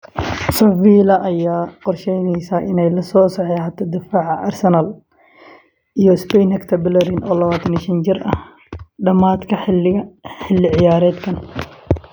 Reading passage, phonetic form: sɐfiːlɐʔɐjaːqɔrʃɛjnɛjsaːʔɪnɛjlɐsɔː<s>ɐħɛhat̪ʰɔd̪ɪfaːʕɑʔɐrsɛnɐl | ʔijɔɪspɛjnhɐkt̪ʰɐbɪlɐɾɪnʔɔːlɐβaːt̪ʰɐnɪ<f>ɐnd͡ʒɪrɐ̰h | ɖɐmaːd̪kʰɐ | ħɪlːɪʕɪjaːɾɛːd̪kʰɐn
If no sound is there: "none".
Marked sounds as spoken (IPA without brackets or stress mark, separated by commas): s, ʃ